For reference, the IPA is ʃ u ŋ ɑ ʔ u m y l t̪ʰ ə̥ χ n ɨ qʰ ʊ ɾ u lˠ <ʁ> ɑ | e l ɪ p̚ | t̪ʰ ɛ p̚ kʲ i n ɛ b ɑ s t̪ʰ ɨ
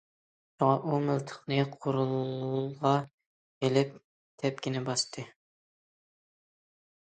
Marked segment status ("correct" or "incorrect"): correct